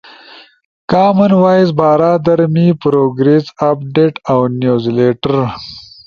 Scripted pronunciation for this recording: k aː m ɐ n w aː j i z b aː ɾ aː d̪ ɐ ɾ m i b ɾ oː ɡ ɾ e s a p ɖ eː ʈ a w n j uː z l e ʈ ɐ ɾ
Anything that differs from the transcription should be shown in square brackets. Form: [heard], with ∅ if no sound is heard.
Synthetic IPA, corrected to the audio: k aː m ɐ n w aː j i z b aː ɾ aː d̪ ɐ ɾ m i [p] ɾ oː ɡ ɾ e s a p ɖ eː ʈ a w n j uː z l e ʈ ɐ ɾ

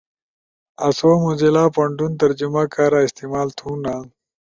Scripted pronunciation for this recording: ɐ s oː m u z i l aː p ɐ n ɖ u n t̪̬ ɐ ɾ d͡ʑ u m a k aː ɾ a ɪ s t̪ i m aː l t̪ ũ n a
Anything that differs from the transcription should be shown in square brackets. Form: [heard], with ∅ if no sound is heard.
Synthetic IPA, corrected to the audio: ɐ s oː m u z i l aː p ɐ [ɳ] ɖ u n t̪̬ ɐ ɾ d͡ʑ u m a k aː ɾ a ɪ s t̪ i m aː l [t̪ʰ] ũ n a

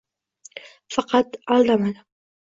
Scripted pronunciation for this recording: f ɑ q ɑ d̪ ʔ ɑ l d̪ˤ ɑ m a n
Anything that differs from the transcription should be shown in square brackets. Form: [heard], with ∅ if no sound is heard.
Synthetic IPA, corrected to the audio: f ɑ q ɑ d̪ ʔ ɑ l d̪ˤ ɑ m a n

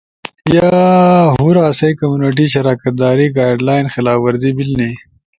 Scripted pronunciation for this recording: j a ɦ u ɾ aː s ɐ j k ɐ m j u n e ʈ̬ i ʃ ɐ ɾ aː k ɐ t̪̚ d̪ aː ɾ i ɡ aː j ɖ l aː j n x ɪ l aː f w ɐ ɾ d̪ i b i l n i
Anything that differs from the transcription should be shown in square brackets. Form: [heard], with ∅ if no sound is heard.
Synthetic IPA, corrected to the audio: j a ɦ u ɾ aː s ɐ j k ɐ m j u n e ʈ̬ i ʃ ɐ ɾ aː k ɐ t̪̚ d̪ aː ɾ i ɡ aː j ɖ l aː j n x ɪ l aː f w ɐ ɾ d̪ i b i l n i

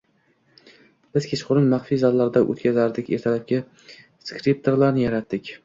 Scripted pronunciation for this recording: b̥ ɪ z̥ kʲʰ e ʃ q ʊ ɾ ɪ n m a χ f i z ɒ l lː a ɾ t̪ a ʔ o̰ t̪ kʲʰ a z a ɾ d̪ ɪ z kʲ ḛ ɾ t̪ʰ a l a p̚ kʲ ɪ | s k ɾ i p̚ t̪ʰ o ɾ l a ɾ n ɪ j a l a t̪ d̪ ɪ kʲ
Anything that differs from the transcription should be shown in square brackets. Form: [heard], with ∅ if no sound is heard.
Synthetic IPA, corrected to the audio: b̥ ɪ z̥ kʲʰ e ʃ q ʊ ɾ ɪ n m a χ f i z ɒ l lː a ɾ [d̪] a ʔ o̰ t̪ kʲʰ a z a ɾ d̪ ɪ [∅] kʲ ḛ ɾ t̪ʰ a l a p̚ kʲ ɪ | s k ɾ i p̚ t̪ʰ o ɾ l a ɾ n ɪ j a [ɾ] a t̪ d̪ ɪ kʲ

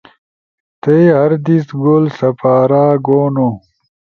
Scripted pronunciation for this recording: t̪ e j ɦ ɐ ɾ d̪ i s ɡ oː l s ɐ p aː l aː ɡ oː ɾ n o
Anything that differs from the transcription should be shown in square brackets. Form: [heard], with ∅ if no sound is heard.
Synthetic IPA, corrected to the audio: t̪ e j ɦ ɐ ɾ d̪ i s ɡ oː l s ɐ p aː [ɾ] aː ɡ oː [∅] n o

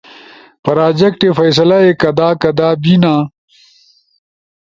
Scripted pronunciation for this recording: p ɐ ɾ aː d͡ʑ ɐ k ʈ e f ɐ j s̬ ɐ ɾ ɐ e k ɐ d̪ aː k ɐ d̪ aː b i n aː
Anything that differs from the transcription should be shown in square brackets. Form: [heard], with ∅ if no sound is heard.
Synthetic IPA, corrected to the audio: p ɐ ɾ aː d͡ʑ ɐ k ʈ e f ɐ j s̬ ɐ [l] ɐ e k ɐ d̪ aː k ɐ d̪ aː b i n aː

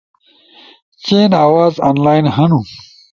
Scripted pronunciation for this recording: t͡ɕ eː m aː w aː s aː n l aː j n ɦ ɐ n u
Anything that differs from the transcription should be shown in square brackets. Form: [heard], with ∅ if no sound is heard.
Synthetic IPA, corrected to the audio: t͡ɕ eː [n] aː w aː [z] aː n l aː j n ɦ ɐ n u

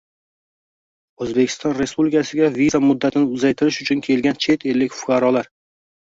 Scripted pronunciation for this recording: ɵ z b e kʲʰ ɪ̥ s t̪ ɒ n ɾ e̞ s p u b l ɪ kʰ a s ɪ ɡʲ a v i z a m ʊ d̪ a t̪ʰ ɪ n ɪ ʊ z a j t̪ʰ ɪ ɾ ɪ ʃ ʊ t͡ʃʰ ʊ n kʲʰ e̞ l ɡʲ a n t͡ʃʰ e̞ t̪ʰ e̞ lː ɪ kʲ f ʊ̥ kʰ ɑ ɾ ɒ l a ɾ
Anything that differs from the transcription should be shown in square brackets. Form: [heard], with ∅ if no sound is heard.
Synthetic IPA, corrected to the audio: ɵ z b e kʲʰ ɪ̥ s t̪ ɒ n ɾ e̞ s p u b l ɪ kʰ a s ɪ ɡʲ a v i z a m ʊ [d̪ː] a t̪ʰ ɪ n ɪ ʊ z a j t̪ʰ ɪ ɾ ɪ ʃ ʊ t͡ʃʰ ʊ n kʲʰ e̞ l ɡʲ a n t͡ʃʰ e̞ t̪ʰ e̞ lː ɪ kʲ f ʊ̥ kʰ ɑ ɾ ɒ l a ɾ

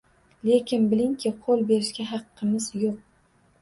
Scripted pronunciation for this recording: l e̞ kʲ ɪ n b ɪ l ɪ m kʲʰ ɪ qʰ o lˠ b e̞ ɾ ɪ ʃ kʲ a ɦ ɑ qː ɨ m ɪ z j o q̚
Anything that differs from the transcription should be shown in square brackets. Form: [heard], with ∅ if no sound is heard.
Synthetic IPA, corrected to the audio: l e̞ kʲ ɪ n b ɪ l ɪ [ŋ] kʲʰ ɪ qʰ o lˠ b e̞ ɾ ɪ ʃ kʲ a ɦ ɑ qː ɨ m ɪ z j o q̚

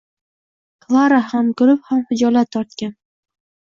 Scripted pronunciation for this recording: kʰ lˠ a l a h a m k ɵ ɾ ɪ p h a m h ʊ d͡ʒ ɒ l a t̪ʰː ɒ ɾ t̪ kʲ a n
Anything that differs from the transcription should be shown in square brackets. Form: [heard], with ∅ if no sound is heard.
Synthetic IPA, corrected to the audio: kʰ lˠ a [ɾ] a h a m k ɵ ɾ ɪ p h a m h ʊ d͡ʒ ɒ l a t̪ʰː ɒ ɾ t̪ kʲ a n

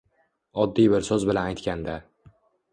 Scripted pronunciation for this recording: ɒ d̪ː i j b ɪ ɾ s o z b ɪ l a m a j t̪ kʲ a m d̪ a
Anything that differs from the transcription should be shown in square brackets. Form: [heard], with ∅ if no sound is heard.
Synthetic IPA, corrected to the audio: ɒ d̪ː i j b ɪ ɾ s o z b ɪ l a [n] a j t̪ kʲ a [n] d̪ a

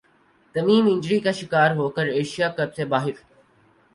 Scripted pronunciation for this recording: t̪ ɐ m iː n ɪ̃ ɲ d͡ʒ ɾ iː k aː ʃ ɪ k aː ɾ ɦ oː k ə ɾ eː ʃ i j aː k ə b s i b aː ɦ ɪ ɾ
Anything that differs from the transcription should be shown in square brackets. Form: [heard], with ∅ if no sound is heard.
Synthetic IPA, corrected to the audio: t̪ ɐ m iː [m] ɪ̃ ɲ d͡ʒ ɾ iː k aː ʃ ɪ k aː ɾ ɦ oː k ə ɾ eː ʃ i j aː k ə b s [e] b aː ɦ ɪ ɾ

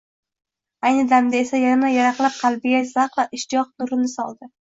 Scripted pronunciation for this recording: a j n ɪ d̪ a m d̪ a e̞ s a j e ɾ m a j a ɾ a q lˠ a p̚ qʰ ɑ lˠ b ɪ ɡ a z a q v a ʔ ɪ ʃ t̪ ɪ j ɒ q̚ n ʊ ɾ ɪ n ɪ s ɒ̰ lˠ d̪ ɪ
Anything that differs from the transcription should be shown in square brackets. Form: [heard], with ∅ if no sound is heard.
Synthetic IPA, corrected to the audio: a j n ɪ d̪ a m d̪ a e̞ s a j [a] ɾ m a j a ɾ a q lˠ a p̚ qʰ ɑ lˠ b ɪ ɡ a z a q v a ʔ ɪ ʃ t̪ ɪ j ɒ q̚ n ʊ ɾ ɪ n ɪ s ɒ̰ lˠ d̪ ɪ

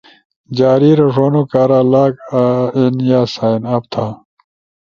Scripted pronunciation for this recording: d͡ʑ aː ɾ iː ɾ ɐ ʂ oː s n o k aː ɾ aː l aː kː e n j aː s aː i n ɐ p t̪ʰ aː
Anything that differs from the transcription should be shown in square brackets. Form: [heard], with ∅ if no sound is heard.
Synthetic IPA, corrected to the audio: d͡ʑ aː ɾ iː ɾ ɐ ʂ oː [∅] n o k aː ɾ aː l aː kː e n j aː s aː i n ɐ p t̪ʰ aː

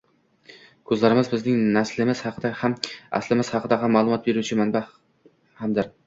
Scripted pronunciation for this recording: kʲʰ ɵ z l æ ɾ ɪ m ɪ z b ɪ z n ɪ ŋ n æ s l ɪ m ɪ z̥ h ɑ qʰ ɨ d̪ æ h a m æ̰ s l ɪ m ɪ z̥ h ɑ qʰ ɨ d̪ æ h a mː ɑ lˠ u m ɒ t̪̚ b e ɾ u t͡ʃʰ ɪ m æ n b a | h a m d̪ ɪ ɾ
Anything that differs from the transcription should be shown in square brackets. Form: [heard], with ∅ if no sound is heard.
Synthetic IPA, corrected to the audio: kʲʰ ɵ z l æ ɾ ɪ m ɪ z b ɪ z n ɪ ŋ n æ s l ɪ m ɪ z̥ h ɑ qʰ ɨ d̪ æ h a m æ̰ s l ɪ m ɪ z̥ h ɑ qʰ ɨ d̪ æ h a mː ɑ lˠ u m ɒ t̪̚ b e ɾ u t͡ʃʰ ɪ m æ n b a | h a m d̪ ɪ ɾ

